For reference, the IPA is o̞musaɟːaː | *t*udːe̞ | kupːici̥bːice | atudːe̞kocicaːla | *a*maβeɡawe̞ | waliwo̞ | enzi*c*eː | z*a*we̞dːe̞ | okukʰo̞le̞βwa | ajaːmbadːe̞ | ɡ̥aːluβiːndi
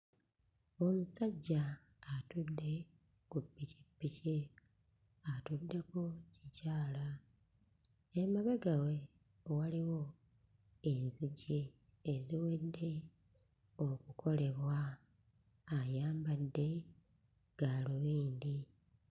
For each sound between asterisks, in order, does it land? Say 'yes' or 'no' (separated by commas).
yes, no, no, no